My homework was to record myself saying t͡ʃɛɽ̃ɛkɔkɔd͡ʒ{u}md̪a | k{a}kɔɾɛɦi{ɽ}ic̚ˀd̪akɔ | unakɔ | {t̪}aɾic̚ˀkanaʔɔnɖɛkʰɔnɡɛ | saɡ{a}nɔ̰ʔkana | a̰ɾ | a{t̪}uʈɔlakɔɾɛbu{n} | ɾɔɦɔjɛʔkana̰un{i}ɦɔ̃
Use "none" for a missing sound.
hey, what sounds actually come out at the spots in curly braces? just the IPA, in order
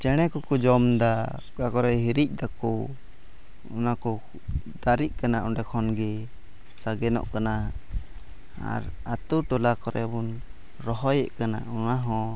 ɔ, a, ɾ, d̪, ɛ, t̪, n, a

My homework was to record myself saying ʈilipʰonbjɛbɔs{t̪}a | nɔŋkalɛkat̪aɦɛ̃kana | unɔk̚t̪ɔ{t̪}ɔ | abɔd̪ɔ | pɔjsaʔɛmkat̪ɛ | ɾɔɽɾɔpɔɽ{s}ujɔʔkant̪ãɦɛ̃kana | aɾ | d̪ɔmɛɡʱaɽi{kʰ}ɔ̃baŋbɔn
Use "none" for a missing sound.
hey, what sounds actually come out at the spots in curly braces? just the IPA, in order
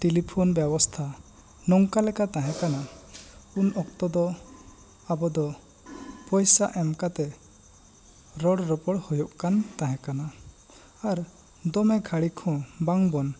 t̪ʰ, d̪, h, kʰ

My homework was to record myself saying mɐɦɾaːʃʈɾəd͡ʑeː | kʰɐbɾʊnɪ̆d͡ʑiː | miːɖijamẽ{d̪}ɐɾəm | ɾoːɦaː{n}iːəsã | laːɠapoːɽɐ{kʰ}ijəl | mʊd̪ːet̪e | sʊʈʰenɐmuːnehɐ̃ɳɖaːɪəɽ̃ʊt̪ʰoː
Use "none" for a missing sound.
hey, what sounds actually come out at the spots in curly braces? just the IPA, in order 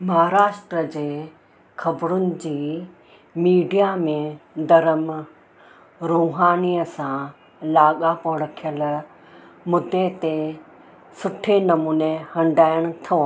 d̪, n, kʰ

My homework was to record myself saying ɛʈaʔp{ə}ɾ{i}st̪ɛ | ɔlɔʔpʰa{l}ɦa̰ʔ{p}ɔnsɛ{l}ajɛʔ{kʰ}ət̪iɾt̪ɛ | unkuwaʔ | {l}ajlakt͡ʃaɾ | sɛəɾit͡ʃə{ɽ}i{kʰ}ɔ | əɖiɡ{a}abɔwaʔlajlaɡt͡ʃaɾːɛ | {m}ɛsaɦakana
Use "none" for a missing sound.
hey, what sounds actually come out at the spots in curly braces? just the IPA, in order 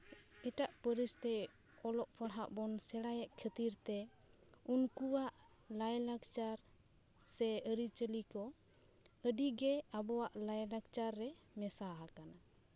ə, i, ɽ, b, ɽ, kʰ, l, l, k, ɛ, m

